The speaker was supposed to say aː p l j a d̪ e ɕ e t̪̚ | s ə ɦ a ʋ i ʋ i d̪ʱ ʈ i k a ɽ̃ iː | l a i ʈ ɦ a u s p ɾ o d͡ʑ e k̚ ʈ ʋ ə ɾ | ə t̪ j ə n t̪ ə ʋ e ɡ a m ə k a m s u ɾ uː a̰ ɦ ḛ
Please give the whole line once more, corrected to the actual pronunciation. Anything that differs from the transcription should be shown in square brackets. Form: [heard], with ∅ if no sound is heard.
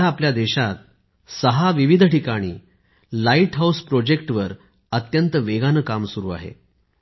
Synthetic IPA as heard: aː p l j a d̪ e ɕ [a] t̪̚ | s ə ɦ a ʋ i ʋ i d̪ʱ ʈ i k a ɽ̃ iː | l a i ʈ ɦ a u s p ɾ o d͡ʑ e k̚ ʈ ʋ ə ɾ | ə t̪ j ə n t̪ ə ʋ e ɡ a [n] ə k a m s u ɾ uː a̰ ɦ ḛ